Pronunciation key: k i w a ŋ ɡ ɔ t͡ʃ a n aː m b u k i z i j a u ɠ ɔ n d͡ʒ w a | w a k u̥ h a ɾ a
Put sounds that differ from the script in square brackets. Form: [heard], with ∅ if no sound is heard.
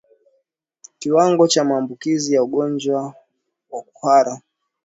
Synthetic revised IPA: k i w a ŋ ɡ ɔ t͡ʃ a [m] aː m b u k i z i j a u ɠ ɔ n d͡ʒ w a | w a k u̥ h a ɾ a